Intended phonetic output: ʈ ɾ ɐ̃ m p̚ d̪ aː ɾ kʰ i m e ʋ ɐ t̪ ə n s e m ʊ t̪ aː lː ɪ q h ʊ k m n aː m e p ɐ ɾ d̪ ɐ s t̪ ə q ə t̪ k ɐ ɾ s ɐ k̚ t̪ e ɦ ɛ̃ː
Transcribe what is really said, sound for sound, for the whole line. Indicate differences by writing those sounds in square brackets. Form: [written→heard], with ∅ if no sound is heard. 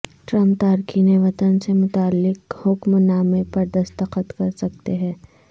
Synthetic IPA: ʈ ɾ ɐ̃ m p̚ [d̪→t̪] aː ɾ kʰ i [m→n] e ʋ ɐ t̪ ə n s e m ʊ t̪ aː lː ɪ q h ʊ k m n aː m e p ɐ ɾ d̪ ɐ s t̪ ə q ə t̪ k ɐ ɾ s ɐ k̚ t̪ e ɦ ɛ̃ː